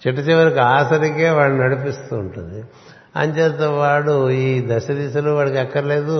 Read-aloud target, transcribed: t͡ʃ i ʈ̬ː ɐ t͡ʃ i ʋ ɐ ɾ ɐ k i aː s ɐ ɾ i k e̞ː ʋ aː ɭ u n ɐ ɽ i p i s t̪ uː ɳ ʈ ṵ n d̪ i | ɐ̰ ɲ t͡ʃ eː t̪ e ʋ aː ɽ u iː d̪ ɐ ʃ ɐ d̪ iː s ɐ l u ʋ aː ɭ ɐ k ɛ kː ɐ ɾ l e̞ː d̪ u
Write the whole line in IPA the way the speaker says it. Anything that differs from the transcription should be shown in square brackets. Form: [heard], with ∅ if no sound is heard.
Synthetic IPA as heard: t͡ʃ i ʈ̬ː ɐ t͡ʃ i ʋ ɐ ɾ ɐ k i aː s ɐ ɾ i k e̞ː ʋ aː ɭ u n ɐ ɽ i p i s t̪ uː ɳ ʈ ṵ n d̪ i | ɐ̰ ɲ t͡ʃ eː t̪ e ʋ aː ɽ u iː d̪ ɐ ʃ ɐ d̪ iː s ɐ l u ʋ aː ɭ ɐ k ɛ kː ɐ ɾ l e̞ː d̪ u